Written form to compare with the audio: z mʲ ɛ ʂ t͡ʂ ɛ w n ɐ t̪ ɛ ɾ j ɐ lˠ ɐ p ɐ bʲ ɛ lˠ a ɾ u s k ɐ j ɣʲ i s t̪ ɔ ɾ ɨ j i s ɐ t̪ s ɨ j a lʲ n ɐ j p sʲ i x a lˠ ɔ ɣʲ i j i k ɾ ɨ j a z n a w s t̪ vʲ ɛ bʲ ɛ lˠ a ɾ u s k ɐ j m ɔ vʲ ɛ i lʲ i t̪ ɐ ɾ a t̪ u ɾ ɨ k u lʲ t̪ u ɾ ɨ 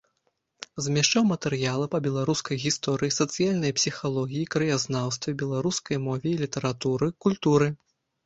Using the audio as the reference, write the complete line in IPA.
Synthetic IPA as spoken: z mʲ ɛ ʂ t͡ʂ a w m ɐ t̪ ɛ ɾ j a lˠ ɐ p ɐ bʲ ɛ lˠ a ɾ u s k ɐ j ɣʲ i s t̪ ɔ ɾ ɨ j i s ɐ t̪ s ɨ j a lʲ n ɐ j p sʲ i x a lˠ ɔ ɣʲ i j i k ɾ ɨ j a z n a w s t̪ vʲ ɛ bʲ ɛ lˠ a ɾ u s k ɐ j m ɔ vʲ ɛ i lʲ i t̪ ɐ ɾ a t̪ u ɾ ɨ k u lʲ t̪ u ɾ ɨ